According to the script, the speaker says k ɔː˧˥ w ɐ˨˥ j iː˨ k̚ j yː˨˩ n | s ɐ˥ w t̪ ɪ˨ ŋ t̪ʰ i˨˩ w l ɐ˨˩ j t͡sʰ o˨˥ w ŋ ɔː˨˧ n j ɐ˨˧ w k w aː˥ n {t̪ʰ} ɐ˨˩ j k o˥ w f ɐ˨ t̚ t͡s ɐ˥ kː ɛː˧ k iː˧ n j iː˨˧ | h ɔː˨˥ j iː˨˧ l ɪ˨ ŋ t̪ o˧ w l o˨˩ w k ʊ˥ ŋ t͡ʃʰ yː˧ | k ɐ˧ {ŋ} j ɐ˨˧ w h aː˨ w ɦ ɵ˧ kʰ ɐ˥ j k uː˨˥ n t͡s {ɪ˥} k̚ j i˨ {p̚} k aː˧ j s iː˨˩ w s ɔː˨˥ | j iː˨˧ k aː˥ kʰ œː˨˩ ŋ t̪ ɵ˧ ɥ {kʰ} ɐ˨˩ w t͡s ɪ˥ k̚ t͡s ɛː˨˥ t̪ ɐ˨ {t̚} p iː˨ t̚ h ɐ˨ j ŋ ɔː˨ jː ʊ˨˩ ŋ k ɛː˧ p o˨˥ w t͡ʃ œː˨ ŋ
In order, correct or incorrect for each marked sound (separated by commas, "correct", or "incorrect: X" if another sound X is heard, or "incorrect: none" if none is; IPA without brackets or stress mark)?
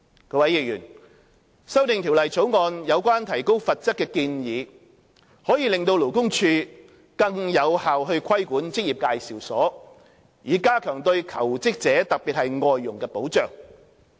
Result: correct, correct, correct, correct, correct, incorrect: k̚